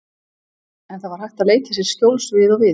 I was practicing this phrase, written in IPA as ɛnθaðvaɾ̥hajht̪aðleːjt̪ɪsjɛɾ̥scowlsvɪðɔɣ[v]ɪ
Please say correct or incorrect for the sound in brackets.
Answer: correct